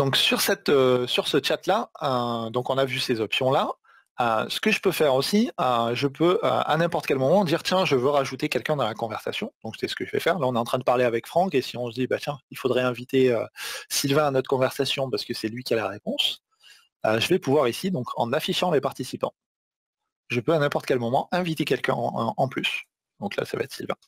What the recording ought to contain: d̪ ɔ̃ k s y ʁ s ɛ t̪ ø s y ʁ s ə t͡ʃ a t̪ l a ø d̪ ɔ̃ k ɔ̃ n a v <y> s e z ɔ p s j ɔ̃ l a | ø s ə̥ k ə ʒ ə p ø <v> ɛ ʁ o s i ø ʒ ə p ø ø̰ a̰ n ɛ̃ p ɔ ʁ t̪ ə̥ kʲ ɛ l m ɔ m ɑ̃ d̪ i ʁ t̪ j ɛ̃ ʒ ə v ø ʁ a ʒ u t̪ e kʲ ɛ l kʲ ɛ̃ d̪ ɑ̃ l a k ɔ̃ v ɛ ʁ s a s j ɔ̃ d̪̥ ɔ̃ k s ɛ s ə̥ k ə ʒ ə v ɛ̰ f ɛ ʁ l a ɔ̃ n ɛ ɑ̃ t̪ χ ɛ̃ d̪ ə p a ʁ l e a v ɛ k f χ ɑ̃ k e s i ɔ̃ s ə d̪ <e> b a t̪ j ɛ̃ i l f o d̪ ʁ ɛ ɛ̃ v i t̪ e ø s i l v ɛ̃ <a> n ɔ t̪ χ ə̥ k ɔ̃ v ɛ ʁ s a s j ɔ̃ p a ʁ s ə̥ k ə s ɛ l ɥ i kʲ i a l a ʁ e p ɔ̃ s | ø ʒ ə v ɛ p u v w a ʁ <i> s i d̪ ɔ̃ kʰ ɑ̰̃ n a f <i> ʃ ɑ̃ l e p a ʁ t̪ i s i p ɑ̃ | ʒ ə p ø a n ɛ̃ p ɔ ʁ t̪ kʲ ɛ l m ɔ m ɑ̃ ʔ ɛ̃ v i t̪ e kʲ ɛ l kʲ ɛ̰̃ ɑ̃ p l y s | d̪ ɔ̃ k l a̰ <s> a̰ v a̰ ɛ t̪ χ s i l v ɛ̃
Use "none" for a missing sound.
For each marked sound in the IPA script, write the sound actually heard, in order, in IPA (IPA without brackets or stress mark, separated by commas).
y, f, i, a, i, i, s